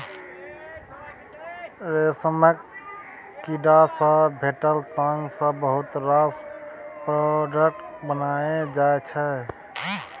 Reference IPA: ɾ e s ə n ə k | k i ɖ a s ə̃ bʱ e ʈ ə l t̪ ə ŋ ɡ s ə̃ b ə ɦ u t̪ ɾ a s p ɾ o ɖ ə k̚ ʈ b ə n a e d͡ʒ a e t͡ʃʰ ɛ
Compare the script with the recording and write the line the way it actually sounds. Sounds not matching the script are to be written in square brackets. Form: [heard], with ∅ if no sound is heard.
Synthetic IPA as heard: ɾ e s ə [m] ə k | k i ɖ a s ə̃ bʱ e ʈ ə l t̪ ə ŋ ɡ s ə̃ b ə ɦ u t̪ ɾ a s p ɾ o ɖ ə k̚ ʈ b ə n a e d͡ʒ a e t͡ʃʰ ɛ